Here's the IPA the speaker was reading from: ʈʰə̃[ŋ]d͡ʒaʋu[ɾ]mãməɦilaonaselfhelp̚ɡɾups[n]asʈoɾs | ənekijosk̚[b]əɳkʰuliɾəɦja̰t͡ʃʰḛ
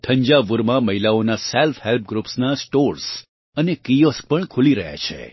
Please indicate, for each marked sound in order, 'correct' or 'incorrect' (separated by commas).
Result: incorrect, correct, correct, incorrect